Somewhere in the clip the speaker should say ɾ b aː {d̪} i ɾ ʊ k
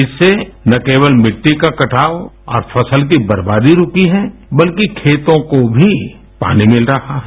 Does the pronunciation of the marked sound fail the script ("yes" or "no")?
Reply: no